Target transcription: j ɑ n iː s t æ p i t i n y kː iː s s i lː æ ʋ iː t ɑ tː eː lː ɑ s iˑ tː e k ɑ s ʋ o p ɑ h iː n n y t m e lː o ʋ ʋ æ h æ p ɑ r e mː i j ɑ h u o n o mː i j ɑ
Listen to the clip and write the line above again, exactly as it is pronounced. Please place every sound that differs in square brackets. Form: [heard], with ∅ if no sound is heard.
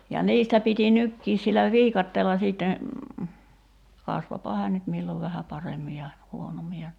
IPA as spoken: j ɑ n iː s t æ p i t i n y kː iː s s i lː æ ʋ iː [k] ɑ tː eː lː ɑ s iˑ tː e k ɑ s ʋ o p ɑ h [æː] n n y t m [i] lː o ʋ ʋ æ h æ p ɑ r e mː i j ɑ h u o n o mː i j ɑ